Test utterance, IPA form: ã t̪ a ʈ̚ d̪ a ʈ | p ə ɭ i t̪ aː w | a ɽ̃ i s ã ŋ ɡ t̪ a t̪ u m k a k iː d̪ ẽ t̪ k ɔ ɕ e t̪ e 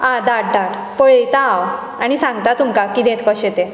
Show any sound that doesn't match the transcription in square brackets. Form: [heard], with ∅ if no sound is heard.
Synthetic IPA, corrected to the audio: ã [d̪] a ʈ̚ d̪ a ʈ | p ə ɭ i t̪ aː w | a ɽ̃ i s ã ŋ ɡ t̪ a t̪ u m k a k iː d̪ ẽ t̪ k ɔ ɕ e t̪ e